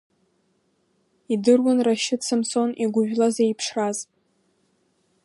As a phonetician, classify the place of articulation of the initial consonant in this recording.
alveolar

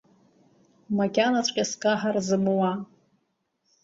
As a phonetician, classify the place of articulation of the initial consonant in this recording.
labial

